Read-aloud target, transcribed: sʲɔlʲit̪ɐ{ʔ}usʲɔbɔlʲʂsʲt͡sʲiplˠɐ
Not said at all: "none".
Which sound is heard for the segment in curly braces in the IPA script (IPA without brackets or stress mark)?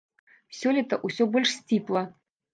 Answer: ʔ